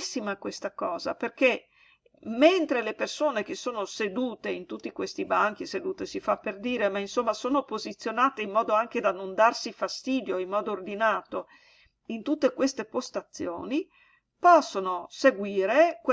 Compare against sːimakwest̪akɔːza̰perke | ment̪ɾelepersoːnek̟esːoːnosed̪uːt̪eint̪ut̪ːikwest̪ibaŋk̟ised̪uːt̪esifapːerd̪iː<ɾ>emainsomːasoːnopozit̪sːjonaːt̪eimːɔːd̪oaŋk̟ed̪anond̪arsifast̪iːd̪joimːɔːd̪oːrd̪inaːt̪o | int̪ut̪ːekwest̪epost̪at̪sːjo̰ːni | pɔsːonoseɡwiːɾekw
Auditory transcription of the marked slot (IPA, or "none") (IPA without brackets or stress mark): ɾ